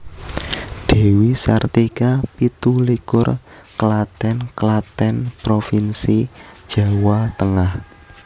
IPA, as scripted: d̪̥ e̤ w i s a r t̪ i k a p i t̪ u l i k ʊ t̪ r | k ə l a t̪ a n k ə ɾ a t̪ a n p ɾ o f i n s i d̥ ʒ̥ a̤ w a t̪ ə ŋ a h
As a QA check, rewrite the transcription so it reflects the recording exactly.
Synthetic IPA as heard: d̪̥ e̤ w i s a r t̪ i k a p i t̪ u l i k ʊ r | k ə l a t̪ ɛ n k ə l a t̪ ɛ n p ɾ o f i n s i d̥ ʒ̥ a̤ w a t̪ ə ŋ a h

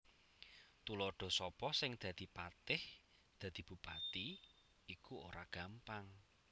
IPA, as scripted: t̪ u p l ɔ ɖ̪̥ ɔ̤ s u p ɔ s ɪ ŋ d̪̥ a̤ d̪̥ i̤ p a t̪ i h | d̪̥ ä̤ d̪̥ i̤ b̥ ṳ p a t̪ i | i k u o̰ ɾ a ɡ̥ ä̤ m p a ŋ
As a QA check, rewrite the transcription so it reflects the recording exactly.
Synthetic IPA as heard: t̪ u l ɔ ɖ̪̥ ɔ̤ s ɔ p ɔ s ɪ ŋ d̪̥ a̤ d̪̥ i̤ p a t̪ ɪ h | d̪̥ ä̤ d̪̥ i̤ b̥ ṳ p a t̪ i | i k u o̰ ɾ a ɡ̥ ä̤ m p a ŋ

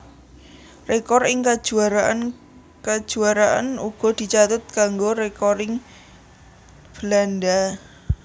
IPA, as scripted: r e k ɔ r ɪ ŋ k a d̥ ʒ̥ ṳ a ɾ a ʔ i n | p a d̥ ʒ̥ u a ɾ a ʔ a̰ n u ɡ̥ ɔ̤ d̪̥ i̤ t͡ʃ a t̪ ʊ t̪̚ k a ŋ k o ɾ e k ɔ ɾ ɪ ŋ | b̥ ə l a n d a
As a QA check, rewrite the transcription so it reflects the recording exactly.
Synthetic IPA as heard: r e k ɔ r ɪ ŋ k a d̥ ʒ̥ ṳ a ɾ a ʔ a n | k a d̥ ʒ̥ u a ɾ a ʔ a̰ n u ɡ̥ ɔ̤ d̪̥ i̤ t͡ʃ a t̪ ʊ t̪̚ k a ŋ ɡ o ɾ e k ɔ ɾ ɪ ŋ | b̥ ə l a n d a

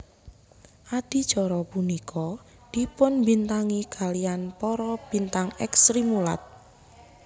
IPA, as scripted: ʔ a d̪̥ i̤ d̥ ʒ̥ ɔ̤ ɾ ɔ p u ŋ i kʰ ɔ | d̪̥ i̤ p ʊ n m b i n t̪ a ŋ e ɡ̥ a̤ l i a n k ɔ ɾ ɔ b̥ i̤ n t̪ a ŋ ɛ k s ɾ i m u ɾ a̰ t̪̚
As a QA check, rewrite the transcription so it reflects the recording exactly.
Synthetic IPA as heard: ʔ a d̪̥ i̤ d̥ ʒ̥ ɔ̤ ɾ ɔ p u n i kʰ ɔ | d̪̥ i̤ p ʊ n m b i n t̪ a ŋ i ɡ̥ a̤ l i a n p ɔ ɾ ɔ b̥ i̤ n t̪ a ŋ ɛ k s ɾ i m u l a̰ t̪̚

